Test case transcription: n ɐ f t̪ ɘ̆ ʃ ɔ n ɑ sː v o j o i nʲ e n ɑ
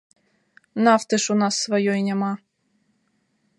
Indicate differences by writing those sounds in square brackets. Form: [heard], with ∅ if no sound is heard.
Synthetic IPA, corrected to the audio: n [ɑ] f t̪ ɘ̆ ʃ [u] n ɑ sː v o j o [j] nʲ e [m] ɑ